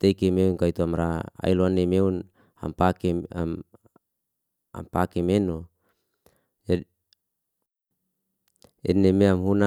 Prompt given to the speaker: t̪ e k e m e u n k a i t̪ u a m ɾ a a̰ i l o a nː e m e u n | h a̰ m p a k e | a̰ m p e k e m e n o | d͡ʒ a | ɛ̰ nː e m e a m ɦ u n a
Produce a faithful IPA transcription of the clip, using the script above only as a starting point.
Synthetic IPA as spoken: t̪ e k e m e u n k a i t̪ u a m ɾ a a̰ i l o a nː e m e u n | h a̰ m p a k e | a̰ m p a k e m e n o | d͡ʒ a | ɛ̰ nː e m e a m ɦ u n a